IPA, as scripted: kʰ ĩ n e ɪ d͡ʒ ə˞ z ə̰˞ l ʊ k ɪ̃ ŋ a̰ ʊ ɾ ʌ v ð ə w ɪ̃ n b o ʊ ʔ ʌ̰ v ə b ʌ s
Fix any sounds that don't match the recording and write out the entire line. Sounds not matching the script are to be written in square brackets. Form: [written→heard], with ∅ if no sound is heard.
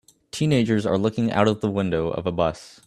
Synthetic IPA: [kʰ→tʰ] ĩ n e ɪ d͡ʒ ə˞ z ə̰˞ l ʊ k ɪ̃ ŋ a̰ ʊ ɾ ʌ v ð ə w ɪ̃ n [b→d] o ʊ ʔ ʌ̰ v ə b ʌ s